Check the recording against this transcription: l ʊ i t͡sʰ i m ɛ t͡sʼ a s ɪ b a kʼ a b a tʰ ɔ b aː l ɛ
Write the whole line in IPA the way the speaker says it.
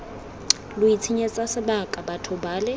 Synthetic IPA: l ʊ i t͡sʰ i ɲ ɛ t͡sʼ a s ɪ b a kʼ a b a tʰ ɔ b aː l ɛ

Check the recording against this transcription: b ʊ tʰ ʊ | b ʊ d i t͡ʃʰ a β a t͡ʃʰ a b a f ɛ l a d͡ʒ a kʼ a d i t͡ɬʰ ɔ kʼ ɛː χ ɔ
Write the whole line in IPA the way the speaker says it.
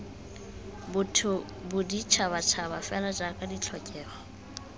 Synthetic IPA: b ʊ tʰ ʊ | b ʊ d i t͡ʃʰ a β a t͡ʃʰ a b a f ɛ l a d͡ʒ a kʼ a d i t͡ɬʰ ɔ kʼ ɛː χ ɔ

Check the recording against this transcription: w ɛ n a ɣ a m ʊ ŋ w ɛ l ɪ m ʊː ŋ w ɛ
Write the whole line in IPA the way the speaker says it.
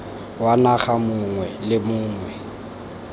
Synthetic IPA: w a n a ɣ a m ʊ ŋ w ɛ l ɪ m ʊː ŋ w ɛ

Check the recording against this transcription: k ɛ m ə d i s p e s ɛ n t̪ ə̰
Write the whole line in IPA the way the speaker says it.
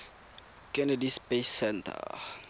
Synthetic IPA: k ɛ n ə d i s p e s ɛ n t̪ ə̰

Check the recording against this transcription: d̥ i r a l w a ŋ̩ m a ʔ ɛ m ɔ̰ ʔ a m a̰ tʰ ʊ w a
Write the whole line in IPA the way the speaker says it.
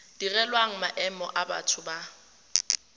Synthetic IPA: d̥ i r ɛ l w a ŋ̩ m a ʔ ɛ m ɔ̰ ʔ a b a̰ tʰ ʊ b a

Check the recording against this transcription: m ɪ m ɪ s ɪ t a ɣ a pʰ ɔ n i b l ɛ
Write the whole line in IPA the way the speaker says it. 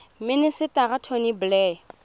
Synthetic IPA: m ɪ n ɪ s ɪ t a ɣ a tʰ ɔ n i b l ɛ

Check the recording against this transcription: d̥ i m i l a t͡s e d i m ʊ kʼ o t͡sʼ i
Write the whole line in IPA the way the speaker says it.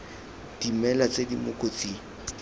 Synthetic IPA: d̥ i m ɛ l a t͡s e d i m ʊ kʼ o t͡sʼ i

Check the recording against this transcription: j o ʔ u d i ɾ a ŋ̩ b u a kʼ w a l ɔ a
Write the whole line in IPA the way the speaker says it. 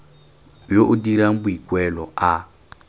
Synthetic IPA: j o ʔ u d i ɾ a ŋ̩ b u i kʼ w ɛ l ɔ a

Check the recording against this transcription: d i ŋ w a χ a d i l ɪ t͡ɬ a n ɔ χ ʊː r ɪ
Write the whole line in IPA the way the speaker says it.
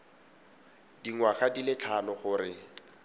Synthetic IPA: d i ŋ w a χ a d i l ɪ t͡ɬʰ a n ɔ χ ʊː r ɪ

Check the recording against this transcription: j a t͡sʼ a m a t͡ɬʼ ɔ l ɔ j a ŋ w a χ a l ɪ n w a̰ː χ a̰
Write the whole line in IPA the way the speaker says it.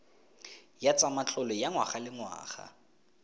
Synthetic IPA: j a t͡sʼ a m a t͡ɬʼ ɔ l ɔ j a ŋ w a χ a l ɪ ŋ w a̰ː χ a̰

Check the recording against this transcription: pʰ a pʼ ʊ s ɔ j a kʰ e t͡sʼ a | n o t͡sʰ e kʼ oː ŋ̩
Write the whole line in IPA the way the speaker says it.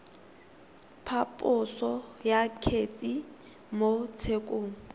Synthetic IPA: pʰ a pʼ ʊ s ɔ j a kʰ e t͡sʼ i | m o t͡sʰ e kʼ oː ŋ̩

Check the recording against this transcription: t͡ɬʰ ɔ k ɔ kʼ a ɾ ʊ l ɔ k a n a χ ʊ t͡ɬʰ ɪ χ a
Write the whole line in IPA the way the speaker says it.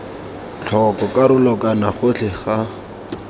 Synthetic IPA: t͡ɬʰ ɔ k ɔ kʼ a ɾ ʊ l ɔ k a n a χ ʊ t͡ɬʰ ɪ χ a

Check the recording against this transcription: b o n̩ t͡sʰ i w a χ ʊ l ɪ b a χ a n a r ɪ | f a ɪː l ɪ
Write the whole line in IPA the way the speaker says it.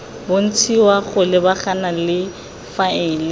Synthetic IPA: b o n̩ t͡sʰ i w a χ ʊ l ɪ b a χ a n a l ɪ | f a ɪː l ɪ

